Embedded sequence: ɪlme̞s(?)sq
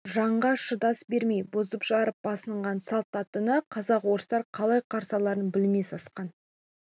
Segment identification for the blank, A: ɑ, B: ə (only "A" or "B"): A